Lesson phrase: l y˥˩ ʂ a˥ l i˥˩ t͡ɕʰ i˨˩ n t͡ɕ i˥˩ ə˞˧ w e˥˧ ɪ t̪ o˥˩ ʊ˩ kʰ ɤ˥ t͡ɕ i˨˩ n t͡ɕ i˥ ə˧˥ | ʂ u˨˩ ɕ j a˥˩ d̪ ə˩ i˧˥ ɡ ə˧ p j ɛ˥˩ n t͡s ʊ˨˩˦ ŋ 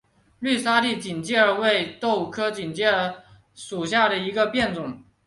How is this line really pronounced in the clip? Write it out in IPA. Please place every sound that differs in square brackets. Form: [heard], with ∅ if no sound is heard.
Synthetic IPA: l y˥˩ [s] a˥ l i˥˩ [t͡ɕ] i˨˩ n t͡ɕ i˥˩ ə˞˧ w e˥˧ ɪ t̪ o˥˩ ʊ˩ kʰ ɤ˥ t͡ɕ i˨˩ n t͡ɕ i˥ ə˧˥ | ʂ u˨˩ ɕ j a˥˩ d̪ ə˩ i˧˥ ɡ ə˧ p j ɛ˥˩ n t͡s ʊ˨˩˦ ŋ